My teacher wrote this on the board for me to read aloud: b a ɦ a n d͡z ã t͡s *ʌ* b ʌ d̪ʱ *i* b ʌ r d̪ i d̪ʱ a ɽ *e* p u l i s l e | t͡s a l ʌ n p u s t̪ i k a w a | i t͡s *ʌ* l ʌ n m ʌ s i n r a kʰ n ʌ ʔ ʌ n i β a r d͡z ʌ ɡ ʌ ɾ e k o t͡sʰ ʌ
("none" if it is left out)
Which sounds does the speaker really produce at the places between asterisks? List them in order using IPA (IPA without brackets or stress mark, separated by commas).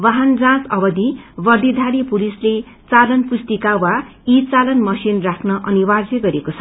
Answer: ʌ, i, i, a